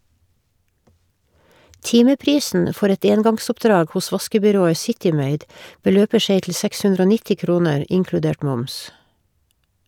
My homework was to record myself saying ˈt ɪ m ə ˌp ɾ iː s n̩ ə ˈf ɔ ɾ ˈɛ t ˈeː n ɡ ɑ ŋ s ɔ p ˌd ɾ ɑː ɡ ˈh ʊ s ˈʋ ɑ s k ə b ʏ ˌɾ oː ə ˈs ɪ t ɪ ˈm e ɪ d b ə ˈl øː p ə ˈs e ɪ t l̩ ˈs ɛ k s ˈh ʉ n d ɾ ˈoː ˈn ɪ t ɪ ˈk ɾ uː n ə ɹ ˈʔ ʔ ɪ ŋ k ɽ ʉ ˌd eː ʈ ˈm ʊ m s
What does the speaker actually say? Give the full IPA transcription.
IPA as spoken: ˈt ɪ m ə ˌp ɾ iː s n̩ ə ˈf ɔ ɾ ˈɛ t ˈeː n ɡ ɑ ŋ s ɔ p ˌd ɾ ɑː ɡ ˈh ʊ s ˈʋ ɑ s k ə b ʏ ˌɾ oː ə ˈs ɪ t ɪ ˈm e ɪ d b ə ˈl øː p ə ˈs e ɪ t l̩ ˈs ɛ k s ˈh ʉ n d ɾ ˈoː ˈn ɪ t ɪ ˈk ɾ uː n ə ɹ ˈʔ ʔ ɪ ŋ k ɽ ʉ ˌd eː ʈ ˈm ʊ m s